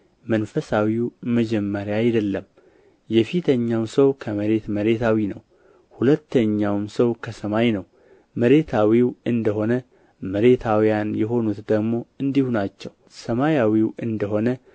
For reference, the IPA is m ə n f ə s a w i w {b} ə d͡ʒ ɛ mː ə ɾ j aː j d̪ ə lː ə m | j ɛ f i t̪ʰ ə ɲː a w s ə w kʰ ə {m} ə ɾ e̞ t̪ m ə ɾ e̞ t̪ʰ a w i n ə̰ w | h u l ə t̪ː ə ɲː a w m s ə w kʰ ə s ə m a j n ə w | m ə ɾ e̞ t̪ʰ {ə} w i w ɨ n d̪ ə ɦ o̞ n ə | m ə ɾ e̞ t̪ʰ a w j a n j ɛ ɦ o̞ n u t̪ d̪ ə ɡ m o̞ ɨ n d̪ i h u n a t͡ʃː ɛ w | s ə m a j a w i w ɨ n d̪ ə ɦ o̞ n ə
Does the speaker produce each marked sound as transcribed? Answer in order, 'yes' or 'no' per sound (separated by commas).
no, yes, no